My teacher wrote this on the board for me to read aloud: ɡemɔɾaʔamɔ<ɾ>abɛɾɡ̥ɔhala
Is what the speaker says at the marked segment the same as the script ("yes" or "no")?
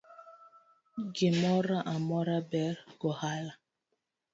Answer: yes